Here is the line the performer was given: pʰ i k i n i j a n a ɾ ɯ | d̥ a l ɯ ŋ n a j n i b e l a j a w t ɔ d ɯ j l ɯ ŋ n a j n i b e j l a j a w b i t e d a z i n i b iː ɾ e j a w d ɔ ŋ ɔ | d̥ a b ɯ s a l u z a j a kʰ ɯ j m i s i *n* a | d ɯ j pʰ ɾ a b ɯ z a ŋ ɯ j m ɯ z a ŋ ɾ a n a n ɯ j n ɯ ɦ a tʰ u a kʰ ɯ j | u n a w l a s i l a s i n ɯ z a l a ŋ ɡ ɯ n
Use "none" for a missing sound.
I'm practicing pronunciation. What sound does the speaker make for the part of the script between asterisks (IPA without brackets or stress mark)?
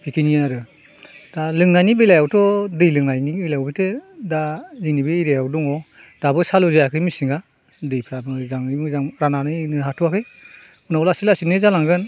ŋ